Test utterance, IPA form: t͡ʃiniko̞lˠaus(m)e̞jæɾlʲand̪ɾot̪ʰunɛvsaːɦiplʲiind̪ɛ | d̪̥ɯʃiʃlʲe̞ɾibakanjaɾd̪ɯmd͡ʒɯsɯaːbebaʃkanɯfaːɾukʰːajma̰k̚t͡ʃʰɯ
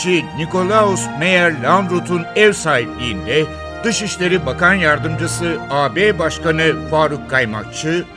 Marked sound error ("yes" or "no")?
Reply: no